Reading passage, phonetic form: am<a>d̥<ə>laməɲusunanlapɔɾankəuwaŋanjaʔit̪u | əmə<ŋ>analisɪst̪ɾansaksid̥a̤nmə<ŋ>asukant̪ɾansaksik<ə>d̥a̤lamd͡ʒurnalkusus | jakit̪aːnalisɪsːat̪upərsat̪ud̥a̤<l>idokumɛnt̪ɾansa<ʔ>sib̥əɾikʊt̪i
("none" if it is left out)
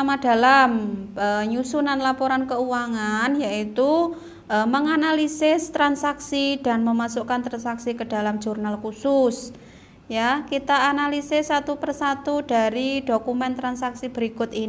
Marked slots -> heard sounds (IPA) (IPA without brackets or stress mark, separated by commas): a, a, ŋ, m, ə, ɾ, k